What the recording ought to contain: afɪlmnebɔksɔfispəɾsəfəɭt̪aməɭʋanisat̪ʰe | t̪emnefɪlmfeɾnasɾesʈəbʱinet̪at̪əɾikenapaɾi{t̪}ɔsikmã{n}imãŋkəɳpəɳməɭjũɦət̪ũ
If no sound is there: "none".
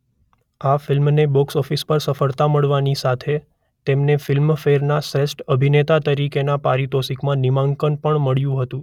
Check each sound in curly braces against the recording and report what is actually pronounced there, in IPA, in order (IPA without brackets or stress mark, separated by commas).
t̪, n